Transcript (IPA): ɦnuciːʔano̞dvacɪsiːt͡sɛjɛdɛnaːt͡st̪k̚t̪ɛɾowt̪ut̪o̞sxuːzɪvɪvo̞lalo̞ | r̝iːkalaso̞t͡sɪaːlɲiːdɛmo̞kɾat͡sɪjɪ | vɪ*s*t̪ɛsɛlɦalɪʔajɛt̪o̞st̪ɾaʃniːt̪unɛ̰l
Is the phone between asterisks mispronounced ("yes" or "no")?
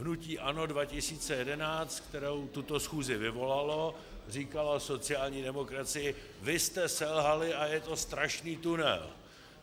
no